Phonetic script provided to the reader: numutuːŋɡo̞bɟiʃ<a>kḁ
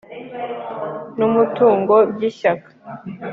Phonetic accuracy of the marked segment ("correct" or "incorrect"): correct